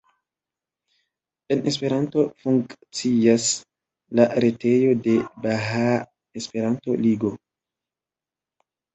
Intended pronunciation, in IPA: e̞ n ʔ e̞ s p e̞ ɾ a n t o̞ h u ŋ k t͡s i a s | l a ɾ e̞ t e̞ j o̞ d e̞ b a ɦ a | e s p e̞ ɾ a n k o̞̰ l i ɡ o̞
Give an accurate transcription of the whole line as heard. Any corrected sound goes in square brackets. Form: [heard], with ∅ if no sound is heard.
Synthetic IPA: e̞ n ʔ e̞ s p e̞ ɾ a n t o̞ [f] u ŋ k t͡s i a s | l a ɾ e̞ t e̞ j o̞ d e̞ b a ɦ a | e s p e̞ ɾ a n [t] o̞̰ l i ɡ o̞

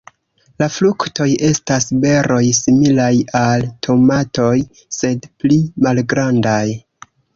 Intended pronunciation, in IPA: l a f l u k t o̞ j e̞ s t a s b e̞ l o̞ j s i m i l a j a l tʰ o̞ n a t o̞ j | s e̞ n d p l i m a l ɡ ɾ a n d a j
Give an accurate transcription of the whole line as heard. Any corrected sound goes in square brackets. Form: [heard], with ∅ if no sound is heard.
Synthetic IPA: l a f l u k t o̞ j e̞ s t a s b e̞ [ɾ] o̞ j s i m i l a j a l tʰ o̞ [m] a t o̞ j | s e̞ [∅] d p l i m a l ɡ ɾ a n d a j

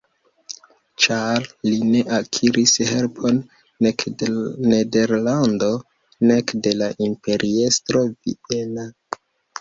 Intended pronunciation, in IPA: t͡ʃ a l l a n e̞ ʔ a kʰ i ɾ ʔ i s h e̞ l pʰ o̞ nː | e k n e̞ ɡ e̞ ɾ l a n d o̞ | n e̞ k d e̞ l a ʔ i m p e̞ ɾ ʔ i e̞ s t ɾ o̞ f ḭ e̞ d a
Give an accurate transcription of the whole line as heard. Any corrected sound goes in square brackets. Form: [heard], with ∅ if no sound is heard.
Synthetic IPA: t͡ʃ a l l [i] n e̞ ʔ a kʰ i ɾ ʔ i s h e̞ l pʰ o̞ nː | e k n e̞ [d] e̞ ɾ l a n d o̞ | n e̞ k d e̞ l a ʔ i m p e̞ ɾ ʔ i e̞ s t ɾ o̞ [v] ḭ e̞ [n] a

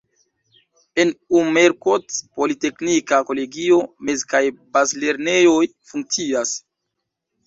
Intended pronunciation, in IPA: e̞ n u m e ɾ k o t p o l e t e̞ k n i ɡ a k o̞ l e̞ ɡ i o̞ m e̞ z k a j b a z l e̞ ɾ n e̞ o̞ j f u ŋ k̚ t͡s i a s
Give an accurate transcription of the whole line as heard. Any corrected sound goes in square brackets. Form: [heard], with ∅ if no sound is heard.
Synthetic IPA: e̞ n u m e ɾ k o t p o l [i] t e̞ k n i [k] a k o̞ l e̞ ɡ i o̞ m e̞ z k a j b a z l e̞ ɾ n e̞ o̞ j f u ŋ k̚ t͡s i a s

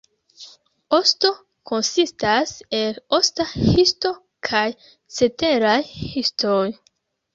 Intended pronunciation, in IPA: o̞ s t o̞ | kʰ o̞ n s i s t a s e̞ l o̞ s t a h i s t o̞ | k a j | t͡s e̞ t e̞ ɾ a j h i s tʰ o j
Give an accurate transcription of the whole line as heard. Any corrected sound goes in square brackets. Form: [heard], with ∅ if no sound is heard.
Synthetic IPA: o̞ s t o̞ | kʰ o̞ n s i s t a s e̞ l o̞ s t a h i s t o̞ | [kʰ] a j | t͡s e̞ t e̞ ɾ a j h i s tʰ o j

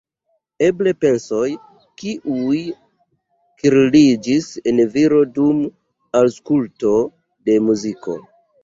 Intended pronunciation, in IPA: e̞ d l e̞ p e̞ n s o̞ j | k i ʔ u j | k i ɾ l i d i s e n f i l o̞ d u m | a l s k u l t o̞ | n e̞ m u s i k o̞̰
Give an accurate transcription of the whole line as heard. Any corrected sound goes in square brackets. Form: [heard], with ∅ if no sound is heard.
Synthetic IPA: e̞ [b] l e̞ p e̞ n s o̞ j | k i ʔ u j | k i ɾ l i [d͡ʒ] i s e n [v] i [ɾ] o̞ d u m | a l s k u l t o̞ | [d] e̞ m u [z] i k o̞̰

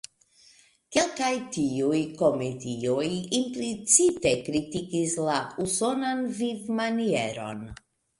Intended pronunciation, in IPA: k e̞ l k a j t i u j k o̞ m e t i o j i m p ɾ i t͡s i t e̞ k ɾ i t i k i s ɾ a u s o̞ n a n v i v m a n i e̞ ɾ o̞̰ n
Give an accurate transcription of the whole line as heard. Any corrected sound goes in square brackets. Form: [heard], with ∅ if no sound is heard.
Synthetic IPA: k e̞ l k a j t i u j k o̞ m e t i o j i m p [l] i t͡s i t e̞ k ɾ i t i k i s [l] a u s o̞ n a n v i v m a n i e̞ ɾ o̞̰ n

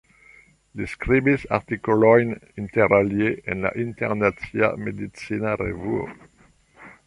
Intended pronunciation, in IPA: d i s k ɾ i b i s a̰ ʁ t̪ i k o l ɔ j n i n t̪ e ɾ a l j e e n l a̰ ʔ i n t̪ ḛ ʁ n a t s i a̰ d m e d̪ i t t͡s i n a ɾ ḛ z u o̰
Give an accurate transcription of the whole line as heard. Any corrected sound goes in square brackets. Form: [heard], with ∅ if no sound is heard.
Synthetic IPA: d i s k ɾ i b i s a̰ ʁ t̪ i k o l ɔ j n i n t̪ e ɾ a l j e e n l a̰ ʔ i n t̪ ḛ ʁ n a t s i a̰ [∅] m e d̪ i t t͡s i n a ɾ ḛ [v] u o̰

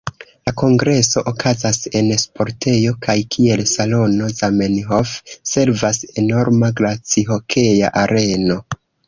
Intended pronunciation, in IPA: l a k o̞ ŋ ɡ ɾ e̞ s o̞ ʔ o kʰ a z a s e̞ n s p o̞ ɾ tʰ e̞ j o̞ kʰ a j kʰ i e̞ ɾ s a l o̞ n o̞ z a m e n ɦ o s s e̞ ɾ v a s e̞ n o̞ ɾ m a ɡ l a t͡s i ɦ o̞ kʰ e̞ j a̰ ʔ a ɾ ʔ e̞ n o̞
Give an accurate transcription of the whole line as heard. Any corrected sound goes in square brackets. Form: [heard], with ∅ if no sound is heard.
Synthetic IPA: l a k o̞ ŋ ɡ ɾ e̞ s o̞ ʔ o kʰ a z a s e̞ n s p o̞ ɾ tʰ e̞ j o̞ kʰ a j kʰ i e̞ [l] s a l o̞ n o̞ z a m e n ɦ o [f] s e̞ ɾ v a s e̞ n o̞ ɾ m a ɡ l a t͡s i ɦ o̞ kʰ e̞ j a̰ ʔ a ɾ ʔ e̞ n o̞

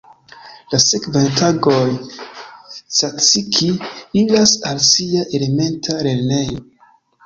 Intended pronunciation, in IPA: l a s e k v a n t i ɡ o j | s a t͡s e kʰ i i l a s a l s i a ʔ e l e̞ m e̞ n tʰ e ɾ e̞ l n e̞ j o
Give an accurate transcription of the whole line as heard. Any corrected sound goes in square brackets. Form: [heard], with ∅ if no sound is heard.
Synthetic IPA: l a s e k v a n t [a] ɡ o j | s a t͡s [i] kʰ i i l a s a l s i a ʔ e l e̞ m e̞ n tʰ [a] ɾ e̞ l n e̞ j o

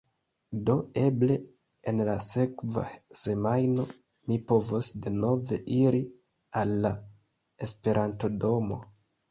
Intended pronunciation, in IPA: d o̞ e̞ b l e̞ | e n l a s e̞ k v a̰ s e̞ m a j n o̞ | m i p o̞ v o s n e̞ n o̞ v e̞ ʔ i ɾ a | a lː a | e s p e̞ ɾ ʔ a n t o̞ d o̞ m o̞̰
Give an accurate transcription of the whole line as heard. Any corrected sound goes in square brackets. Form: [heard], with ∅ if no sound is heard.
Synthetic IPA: d o̞ e̞ b l e̞ | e n l a s e̞ k v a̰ s e̞ m a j n o̞ | m i p o̞ v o s [d] e̞ n o̞ v e̞ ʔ i ɾ [i] | a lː a | e s p e̞ ɾ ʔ a n t o̞ d o̞ m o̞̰

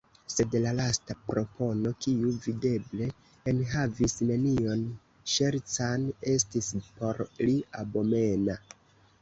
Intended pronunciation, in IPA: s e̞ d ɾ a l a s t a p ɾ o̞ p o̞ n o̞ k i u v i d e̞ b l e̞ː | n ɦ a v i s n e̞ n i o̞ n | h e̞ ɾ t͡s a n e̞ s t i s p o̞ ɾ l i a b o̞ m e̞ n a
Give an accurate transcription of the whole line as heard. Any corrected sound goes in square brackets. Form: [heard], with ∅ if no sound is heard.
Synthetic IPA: s e̞ d [l] a l a s t a p ɾ o̞ p o̞ n o̞ k i u v i d e̞ b l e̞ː | n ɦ a v i s n e̞ n i o̞ n | [ʃ] e̞ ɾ t͡s a n e̞ s t i s p o̞ ɾ l i a b o̞ m e̞ n a

